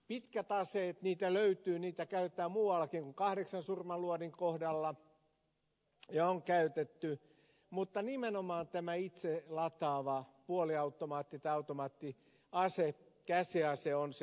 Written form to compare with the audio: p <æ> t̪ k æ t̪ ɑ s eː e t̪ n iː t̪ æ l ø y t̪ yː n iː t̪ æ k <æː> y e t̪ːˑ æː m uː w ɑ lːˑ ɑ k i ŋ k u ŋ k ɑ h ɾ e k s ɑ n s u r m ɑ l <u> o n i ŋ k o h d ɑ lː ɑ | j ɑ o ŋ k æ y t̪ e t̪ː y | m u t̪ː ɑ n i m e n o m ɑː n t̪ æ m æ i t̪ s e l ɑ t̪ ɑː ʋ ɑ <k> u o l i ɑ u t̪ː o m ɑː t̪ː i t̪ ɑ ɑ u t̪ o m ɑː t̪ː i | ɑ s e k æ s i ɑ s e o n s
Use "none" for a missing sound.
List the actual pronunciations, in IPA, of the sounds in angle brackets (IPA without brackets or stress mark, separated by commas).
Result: i, æ, u, p